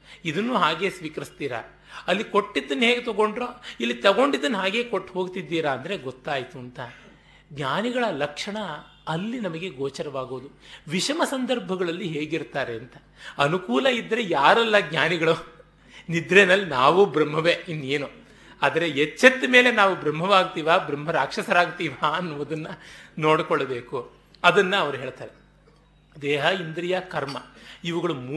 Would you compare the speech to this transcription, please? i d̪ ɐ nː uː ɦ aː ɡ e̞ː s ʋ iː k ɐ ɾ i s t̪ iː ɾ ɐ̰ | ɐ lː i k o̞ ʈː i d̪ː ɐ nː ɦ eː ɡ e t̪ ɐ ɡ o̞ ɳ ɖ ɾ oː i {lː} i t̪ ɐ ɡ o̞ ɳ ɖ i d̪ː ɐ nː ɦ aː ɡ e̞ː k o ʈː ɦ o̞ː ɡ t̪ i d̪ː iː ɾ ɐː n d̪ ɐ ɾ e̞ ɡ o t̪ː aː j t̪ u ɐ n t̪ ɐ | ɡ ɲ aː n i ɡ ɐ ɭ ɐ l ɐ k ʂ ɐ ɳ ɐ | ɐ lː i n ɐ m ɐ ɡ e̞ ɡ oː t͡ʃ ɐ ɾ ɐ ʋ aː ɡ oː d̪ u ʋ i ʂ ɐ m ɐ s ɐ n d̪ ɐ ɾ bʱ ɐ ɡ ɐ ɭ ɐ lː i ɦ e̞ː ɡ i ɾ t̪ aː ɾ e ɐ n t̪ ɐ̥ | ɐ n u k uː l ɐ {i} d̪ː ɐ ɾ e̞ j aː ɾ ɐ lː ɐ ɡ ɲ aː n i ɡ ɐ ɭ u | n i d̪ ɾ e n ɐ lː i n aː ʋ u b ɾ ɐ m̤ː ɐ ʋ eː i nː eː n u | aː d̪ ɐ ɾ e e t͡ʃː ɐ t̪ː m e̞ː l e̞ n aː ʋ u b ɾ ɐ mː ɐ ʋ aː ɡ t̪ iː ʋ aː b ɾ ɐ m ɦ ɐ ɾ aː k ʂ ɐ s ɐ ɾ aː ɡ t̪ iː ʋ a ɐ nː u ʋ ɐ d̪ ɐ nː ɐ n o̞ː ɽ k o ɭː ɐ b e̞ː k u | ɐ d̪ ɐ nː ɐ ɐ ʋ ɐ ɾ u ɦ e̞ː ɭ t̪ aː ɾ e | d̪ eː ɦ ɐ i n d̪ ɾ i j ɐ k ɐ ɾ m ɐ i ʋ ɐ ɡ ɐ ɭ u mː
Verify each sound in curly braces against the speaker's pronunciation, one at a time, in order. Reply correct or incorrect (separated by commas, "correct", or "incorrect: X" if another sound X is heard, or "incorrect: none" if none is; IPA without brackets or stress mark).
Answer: correct, correct